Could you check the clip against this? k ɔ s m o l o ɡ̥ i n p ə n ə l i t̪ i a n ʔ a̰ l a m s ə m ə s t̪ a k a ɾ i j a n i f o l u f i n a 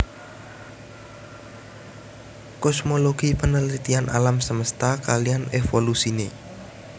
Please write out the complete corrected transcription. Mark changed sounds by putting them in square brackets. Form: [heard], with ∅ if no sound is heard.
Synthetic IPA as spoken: k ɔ s m o l o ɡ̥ i [∅] p ə n ə l i t̪ i a n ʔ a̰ l a m s ə m ə s t̪ a k a [l] i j a n [e] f o l u [s] i n [e]

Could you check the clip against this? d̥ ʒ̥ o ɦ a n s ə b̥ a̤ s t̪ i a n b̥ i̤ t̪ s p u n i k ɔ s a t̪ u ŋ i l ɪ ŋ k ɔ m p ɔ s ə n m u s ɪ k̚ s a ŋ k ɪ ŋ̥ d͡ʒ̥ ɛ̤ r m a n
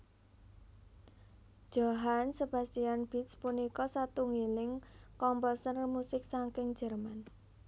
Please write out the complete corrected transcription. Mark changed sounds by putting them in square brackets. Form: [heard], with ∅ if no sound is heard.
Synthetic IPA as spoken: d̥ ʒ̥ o ɦ a n s ə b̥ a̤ s t̪ i a n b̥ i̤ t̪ s p u n i k ɔ s a t̪ u ŋ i l ɪ ŋ k ɔ m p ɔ s ə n m u s ɪ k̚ s a ŋ k ɪ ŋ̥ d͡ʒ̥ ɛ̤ r m a n

